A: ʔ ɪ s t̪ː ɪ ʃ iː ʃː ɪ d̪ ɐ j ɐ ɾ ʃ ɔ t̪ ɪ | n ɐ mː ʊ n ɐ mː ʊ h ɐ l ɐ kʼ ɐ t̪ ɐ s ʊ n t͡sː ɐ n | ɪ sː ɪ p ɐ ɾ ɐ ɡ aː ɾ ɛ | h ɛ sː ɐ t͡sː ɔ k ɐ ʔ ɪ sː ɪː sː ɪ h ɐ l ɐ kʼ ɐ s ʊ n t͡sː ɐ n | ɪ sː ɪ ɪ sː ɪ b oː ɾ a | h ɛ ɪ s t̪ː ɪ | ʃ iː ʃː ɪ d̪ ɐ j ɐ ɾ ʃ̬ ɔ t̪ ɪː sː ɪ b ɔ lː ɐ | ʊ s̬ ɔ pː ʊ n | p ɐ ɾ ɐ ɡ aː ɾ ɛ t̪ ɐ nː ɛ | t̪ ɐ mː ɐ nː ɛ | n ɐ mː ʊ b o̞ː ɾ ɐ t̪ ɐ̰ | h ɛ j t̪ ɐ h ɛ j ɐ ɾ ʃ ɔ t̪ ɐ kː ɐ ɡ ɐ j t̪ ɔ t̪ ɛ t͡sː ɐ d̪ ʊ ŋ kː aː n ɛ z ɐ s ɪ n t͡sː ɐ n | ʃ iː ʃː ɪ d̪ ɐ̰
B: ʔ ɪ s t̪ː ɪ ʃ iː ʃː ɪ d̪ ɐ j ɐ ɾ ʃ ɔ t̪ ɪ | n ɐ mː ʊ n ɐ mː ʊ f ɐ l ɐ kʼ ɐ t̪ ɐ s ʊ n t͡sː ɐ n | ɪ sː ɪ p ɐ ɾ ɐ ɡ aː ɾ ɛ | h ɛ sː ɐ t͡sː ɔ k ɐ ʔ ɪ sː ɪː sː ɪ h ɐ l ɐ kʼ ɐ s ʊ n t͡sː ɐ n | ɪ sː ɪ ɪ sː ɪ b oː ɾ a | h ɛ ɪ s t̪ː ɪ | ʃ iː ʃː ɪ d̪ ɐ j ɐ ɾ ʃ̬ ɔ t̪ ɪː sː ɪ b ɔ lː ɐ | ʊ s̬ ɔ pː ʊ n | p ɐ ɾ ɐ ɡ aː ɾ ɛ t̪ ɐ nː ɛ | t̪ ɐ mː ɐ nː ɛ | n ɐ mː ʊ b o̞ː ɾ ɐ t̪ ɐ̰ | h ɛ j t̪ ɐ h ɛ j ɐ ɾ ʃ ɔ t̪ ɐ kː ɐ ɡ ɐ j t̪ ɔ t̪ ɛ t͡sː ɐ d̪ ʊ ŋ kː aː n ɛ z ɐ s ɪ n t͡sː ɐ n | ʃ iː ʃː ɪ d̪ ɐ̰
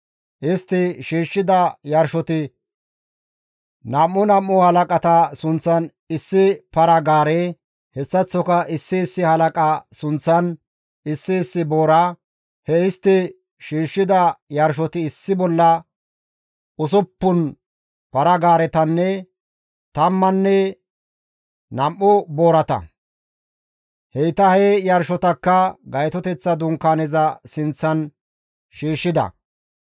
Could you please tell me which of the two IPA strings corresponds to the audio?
A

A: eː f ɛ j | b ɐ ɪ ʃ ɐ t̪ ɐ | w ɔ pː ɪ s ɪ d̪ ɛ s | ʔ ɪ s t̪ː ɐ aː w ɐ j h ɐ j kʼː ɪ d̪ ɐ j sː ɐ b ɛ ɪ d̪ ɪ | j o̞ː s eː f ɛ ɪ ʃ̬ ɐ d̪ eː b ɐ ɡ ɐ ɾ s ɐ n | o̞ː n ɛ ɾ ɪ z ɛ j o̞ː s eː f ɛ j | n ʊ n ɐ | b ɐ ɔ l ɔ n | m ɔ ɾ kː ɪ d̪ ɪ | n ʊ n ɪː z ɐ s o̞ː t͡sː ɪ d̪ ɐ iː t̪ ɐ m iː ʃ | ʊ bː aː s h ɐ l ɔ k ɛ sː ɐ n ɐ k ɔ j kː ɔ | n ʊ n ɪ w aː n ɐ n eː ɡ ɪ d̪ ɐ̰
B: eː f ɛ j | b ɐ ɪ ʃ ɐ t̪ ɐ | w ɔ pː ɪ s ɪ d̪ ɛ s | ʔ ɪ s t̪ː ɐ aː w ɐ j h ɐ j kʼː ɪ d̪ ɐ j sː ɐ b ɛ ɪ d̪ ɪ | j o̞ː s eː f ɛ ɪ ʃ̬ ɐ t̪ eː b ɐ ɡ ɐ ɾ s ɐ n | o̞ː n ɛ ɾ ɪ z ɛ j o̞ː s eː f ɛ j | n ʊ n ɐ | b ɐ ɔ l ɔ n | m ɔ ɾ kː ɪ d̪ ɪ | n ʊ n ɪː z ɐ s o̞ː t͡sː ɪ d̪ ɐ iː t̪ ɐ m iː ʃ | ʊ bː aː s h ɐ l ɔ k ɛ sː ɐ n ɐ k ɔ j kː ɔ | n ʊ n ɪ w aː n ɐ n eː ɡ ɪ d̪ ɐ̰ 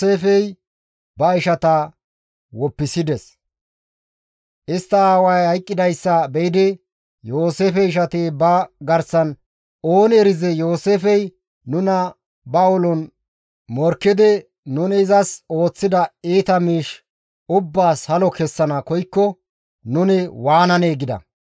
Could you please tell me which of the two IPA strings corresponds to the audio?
B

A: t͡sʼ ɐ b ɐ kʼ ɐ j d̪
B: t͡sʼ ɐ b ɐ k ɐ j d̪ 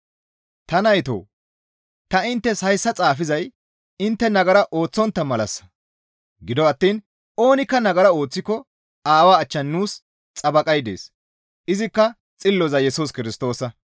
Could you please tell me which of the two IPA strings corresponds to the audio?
A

